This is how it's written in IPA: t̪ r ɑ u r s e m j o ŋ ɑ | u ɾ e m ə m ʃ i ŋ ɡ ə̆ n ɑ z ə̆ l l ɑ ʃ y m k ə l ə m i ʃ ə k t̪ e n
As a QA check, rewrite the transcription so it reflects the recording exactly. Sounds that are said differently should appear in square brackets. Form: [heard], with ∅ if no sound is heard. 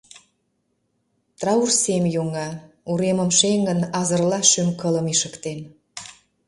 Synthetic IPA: t̪ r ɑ u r s e m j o ŋ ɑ | u ɾ e m ə m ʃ [e] ŋ ɡ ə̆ n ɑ z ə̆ [r] l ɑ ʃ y m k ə l ə m i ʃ ə k t̪ e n